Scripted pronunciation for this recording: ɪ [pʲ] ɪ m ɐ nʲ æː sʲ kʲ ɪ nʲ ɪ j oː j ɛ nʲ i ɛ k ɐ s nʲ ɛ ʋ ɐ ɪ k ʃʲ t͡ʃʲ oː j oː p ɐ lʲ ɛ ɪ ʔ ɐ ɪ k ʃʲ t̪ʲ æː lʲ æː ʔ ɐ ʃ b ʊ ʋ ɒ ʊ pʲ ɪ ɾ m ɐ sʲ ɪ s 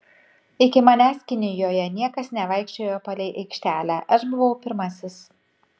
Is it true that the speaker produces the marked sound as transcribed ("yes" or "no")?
no